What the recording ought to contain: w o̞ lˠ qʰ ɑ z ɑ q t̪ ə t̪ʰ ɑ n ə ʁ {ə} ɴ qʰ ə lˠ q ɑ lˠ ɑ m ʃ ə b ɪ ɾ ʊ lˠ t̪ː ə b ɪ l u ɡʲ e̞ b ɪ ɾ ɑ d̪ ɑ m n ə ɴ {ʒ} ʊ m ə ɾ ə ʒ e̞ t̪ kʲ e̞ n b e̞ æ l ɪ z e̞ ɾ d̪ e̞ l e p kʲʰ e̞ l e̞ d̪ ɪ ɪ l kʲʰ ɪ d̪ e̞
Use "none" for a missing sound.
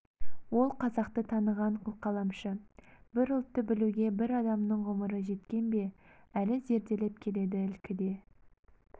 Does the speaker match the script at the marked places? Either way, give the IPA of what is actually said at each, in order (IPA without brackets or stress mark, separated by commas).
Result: ɑ, ʁ